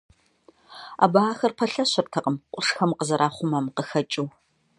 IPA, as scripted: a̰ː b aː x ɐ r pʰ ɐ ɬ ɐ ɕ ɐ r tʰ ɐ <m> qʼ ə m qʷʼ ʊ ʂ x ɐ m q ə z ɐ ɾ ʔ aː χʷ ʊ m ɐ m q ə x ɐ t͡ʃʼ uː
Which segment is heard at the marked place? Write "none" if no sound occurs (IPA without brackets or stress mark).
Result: none